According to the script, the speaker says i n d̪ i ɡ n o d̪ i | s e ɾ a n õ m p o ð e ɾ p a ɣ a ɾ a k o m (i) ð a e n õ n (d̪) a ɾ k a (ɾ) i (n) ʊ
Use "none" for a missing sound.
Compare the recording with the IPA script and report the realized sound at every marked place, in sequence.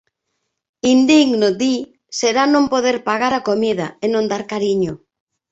i, d̪, ɾ, ɲ

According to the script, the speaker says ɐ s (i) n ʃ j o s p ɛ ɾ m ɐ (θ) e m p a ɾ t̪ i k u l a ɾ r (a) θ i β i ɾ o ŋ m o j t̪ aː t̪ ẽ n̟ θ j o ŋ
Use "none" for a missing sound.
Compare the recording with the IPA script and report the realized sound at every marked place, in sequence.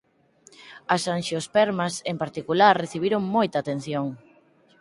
a, s, e

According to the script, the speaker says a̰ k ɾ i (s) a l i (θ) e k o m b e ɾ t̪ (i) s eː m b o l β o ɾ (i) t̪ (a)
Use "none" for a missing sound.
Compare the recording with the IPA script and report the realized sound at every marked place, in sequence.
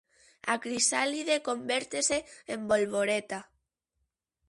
s, ð, e, e, a

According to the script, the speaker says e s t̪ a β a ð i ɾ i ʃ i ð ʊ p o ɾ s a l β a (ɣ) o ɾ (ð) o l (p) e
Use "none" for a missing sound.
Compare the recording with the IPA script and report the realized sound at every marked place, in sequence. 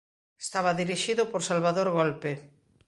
ð, ɣ, p

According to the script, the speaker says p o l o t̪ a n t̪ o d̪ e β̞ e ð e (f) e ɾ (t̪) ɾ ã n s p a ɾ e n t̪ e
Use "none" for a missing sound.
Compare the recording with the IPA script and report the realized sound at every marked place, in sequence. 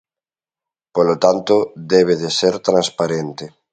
s, t̪

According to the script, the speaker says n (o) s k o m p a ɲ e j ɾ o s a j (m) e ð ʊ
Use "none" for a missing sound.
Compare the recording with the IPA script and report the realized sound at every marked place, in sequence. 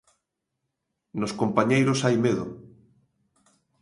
o, m

